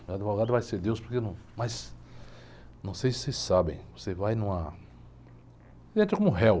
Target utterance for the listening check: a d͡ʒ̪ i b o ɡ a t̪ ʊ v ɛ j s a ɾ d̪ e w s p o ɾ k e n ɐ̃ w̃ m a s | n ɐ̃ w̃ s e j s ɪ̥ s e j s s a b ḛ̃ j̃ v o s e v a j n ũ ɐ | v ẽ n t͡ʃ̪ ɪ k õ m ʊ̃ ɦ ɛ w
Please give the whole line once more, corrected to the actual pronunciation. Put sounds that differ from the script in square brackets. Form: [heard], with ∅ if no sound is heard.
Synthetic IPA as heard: a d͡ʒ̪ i [v] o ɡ a [d̪] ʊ v [a] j s [e] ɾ d̪ e w s p o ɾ k e n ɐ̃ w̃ m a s | n ɐ̃ w̃ s e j s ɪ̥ s e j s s a b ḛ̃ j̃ v o s e v a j n ũ ɐ | [ʒ] ẽ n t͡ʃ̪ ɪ k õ m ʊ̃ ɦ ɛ w